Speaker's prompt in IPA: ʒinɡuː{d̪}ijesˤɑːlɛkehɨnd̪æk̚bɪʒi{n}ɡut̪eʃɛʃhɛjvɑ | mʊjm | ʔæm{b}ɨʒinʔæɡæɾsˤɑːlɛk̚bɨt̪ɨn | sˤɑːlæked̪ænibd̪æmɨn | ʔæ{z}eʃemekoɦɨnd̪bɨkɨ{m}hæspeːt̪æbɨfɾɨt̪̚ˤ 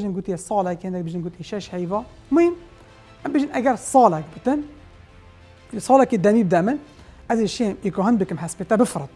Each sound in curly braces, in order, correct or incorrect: incorrect: t̪, correct, correct, correct, correct

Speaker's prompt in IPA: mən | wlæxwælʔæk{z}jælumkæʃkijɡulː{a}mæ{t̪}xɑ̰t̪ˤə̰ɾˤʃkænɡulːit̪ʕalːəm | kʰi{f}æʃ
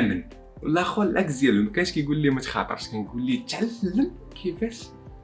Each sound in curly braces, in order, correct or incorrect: correct, incorrect: i, correct, correct

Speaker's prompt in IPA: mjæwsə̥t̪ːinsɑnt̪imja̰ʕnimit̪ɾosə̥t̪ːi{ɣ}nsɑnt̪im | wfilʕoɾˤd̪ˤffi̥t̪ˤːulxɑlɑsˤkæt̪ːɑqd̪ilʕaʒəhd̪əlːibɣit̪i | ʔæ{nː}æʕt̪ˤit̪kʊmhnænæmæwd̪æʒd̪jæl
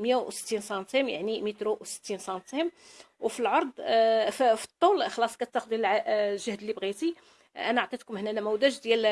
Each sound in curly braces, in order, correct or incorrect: incorrect: none, incorrect: n

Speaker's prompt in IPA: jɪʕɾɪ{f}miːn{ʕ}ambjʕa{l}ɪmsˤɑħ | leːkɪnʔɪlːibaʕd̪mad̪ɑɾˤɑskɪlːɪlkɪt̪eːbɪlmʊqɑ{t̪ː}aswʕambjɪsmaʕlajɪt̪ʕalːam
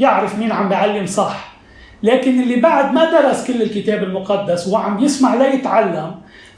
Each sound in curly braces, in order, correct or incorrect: correct, correct, incorrect: lː, incorrect: d̪ː

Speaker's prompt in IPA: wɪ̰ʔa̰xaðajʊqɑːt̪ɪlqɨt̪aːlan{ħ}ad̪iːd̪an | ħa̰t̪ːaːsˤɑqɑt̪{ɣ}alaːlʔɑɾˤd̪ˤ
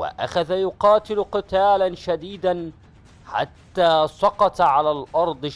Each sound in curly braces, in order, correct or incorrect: incorrect: ʃ, incorrect: ʕ

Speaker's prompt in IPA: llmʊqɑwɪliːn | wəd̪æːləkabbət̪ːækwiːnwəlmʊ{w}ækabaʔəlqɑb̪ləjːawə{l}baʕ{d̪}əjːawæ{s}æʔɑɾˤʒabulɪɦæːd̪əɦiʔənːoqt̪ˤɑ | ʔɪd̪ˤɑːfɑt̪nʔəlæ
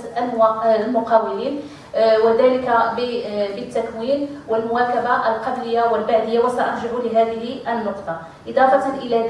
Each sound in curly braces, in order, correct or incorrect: correct, correct, correct, correct

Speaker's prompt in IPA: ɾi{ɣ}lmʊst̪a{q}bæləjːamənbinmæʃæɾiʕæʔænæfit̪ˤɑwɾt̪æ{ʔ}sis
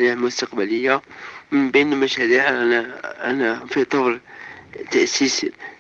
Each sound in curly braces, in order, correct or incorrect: incorrect: ʕ, correct, correct

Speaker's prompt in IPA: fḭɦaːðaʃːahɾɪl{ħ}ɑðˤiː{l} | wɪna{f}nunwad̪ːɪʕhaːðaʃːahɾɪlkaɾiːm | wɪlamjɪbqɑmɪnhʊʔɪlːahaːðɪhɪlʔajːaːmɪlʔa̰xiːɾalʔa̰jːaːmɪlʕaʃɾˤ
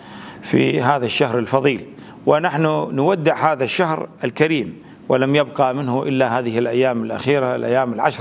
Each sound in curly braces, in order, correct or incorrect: incorrect: f, correct, incorrect: ħ

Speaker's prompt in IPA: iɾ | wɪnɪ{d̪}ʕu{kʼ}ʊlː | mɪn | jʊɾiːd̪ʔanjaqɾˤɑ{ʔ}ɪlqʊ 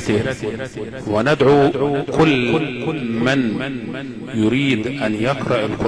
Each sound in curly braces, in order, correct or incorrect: correct, incorrect: k, correct

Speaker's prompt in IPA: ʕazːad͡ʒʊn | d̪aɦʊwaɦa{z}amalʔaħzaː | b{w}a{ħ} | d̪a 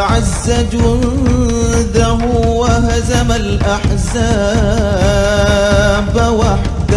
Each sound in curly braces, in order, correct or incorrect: correct, correct, correct

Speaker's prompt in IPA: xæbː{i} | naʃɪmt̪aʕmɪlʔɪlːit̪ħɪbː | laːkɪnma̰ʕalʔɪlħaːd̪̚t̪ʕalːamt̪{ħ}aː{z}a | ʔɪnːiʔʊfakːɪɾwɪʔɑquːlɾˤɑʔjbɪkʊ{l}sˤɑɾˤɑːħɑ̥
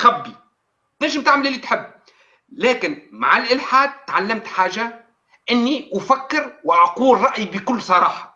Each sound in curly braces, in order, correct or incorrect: correct, correct, incorrect: ʒ, incorrect: lː

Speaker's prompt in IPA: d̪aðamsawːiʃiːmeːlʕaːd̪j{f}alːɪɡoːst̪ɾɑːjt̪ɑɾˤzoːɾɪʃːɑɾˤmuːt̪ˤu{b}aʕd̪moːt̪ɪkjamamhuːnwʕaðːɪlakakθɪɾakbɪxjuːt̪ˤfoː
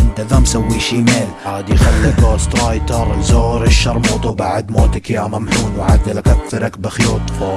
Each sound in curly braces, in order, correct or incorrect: incorrect: x, correct

